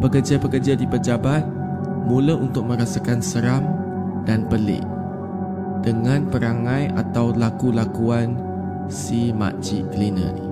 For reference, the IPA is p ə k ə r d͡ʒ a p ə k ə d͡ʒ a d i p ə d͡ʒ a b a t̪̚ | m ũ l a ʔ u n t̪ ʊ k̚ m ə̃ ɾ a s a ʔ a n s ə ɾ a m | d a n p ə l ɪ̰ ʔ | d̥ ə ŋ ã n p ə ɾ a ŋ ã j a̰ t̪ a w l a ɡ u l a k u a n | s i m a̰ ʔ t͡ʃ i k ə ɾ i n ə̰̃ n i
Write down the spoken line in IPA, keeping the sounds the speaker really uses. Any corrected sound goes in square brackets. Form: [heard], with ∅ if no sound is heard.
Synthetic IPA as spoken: p ə k ə r d͡ʒ a p ə k ə d͡ʒ a d i p ə d͡ʒ a b a t̪̚ | m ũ l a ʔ u n t̪ ʊ k̚ m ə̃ ɾ a s a [k] a n s ə ɾ a m | d a n p ə l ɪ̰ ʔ | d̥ ə ŋ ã n p ə ɾ a ŋ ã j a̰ t̪ a w l a [k] u l a k u a n | s i m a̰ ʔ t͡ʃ i k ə [l] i n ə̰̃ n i